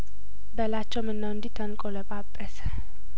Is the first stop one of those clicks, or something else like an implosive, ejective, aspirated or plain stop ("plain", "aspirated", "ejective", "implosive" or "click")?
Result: plain